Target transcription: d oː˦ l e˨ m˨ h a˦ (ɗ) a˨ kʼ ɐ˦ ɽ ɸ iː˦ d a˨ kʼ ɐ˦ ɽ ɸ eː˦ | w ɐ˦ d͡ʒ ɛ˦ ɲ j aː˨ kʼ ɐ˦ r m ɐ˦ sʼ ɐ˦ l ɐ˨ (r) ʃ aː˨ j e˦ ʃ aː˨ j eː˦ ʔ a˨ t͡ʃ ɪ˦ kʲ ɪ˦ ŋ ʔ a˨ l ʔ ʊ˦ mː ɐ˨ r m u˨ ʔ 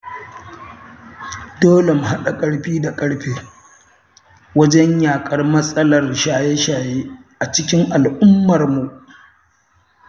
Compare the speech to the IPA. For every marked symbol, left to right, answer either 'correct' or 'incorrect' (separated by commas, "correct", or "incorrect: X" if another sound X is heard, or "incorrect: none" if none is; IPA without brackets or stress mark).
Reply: correct, correct